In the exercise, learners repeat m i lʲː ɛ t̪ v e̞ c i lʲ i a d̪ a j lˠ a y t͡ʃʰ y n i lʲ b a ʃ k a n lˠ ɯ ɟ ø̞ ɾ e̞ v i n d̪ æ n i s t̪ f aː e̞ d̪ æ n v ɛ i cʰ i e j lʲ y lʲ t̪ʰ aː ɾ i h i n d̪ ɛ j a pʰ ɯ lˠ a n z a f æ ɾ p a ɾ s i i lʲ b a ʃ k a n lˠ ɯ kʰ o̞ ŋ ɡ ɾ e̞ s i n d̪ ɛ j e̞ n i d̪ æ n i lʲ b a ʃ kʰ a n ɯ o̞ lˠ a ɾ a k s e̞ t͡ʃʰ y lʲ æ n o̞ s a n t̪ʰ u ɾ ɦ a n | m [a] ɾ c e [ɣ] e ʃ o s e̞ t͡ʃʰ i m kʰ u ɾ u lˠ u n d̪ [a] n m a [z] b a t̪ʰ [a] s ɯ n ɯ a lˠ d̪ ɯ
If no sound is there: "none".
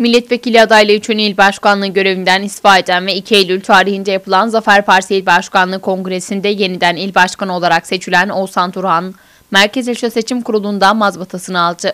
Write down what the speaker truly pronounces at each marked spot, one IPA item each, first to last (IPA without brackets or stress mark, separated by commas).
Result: æ, z, a, z, a